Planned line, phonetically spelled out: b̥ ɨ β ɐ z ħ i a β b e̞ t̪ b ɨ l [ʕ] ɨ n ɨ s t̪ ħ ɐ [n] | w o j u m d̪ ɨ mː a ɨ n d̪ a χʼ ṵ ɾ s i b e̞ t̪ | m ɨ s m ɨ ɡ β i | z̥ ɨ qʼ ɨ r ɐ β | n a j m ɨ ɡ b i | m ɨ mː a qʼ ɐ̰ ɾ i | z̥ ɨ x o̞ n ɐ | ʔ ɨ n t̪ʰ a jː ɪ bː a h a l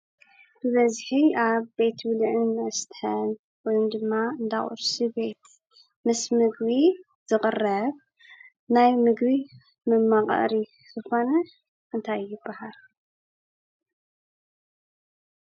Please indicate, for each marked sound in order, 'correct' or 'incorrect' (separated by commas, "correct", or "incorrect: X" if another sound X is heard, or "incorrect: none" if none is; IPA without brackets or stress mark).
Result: correct, correct